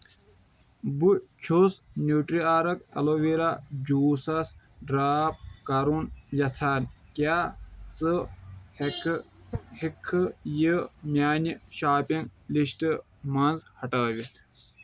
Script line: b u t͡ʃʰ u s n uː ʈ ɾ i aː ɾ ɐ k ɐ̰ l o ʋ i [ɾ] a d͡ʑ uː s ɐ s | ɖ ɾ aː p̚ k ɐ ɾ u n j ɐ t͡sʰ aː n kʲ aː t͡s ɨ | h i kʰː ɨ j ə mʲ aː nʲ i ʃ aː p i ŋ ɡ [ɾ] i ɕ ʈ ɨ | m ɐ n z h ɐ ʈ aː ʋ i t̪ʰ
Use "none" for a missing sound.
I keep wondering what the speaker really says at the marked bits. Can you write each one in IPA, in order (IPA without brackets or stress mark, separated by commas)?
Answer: ɾ, l